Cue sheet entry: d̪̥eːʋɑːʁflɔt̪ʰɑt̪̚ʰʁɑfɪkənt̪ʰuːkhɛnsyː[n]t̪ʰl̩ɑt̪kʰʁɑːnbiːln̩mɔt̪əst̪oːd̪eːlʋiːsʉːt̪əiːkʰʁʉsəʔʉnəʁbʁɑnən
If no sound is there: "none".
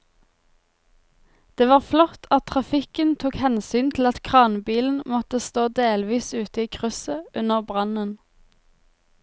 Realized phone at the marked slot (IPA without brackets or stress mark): n